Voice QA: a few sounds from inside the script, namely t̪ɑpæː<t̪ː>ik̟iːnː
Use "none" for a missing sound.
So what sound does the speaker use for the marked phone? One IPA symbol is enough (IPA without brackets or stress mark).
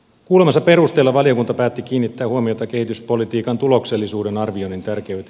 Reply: t̪ː